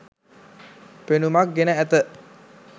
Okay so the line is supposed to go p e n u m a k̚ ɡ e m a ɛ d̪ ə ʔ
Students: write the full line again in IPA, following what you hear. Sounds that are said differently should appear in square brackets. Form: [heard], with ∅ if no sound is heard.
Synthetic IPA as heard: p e n u m a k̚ ɡ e [n] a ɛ [t̪] ə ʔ

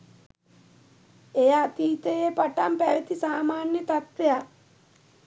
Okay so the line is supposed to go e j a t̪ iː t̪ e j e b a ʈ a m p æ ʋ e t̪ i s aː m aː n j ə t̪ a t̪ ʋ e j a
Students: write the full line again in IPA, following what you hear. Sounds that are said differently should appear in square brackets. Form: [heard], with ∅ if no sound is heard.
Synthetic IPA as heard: e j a t̪ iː t̪ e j e [p] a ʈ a m p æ ʋ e t̪ i s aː m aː n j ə t̪ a t̪ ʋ e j a

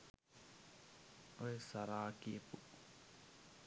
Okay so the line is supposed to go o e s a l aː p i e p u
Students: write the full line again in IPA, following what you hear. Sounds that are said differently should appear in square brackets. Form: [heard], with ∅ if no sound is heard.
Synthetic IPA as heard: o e s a [ɾ] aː [k] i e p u

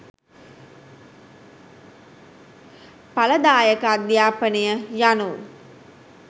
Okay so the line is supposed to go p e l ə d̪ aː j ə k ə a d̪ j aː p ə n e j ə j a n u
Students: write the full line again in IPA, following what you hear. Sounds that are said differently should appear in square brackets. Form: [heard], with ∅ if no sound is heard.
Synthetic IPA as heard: p [a] l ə d̪ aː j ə k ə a d̪ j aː p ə n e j ə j a n u

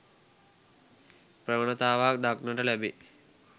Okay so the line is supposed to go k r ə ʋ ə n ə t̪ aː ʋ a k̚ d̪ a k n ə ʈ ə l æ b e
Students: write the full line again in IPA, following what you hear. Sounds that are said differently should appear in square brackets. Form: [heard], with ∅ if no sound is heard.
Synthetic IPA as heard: [p] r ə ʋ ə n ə t̪ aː ʋ a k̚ d̪ a k n ə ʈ ə l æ b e

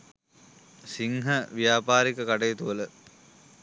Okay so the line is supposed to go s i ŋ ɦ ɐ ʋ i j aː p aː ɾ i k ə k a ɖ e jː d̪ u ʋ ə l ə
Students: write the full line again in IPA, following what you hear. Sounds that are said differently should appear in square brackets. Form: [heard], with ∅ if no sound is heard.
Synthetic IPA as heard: s i ŋ ɦ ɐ ʋ i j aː p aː ɾ i k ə k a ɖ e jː [t̪] u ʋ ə l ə

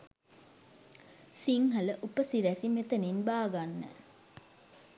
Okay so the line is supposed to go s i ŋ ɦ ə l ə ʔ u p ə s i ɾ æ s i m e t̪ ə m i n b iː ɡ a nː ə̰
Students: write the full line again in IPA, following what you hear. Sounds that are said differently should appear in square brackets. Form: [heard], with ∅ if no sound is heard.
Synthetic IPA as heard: s i ŋ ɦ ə l ə ʔ u p ə s i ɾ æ s i m e t̪ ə [n] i n b [aː] ɡ a nː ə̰

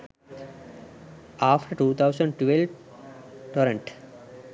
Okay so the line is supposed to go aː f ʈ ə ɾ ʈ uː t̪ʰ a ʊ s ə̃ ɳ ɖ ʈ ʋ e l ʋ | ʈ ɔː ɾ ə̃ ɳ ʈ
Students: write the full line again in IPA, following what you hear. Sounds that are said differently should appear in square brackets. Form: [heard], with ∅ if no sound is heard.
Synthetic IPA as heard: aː f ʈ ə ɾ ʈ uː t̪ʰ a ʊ s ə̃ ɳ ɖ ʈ ʋ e l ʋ | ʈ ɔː ɾ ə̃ ɳ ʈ

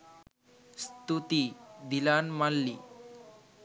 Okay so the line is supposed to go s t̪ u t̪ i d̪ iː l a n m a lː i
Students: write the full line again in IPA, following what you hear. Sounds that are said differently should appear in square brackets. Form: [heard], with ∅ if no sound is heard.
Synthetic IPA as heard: s t̪ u t̪ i d̪ [i] l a n m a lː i

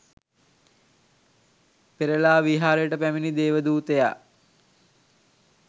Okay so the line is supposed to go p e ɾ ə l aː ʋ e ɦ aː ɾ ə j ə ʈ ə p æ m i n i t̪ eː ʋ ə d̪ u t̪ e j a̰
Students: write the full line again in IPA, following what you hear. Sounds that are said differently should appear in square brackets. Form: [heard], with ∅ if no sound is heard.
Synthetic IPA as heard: p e ɾ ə l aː ʋ [i] ɦ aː ɾ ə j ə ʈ ə p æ m i n i [d̪] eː ʋ ə d̪ [uː] t̪ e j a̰

